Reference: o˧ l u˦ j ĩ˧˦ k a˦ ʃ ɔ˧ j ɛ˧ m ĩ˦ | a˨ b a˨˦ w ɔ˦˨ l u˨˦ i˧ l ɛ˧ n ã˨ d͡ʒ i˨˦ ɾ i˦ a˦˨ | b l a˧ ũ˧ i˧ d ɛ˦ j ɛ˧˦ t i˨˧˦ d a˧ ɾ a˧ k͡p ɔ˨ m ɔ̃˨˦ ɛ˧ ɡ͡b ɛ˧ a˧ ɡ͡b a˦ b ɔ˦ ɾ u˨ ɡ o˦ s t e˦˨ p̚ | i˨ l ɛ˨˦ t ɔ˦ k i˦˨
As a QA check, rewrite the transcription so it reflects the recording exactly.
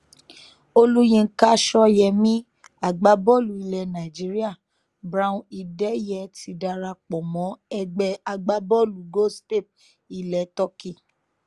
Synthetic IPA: o˧ l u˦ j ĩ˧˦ k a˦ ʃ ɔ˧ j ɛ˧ m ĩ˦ | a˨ ɡ͡b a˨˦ b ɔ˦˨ l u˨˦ i˧ l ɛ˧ n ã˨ d͡ʒ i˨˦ ɾ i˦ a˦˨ | b ɾ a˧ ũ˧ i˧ d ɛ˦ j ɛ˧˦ t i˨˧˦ d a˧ ɾ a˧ k͡p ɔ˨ m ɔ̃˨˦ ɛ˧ ɡ͡b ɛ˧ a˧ ɡ͡b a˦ b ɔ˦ l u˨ ɡ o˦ s t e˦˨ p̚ | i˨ l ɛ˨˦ t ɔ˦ k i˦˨